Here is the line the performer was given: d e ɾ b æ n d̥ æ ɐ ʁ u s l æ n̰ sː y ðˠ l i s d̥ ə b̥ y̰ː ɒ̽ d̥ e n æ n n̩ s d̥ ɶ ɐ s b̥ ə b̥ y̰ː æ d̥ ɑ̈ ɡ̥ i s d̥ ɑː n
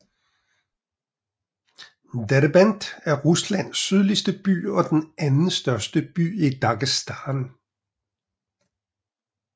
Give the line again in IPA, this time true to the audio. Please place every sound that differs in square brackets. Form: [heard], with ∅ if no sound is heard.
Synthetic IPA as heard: d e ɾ b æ n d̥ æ ɐ ʁ u s l æ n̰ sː y ðˠ l i s d̥ ə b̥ y̰ː ɒ̽ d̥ e n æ n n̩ s d̥ ɶ ɐ s [d̥] ə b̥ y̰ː [i] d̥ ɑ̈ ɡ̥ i s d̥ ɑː n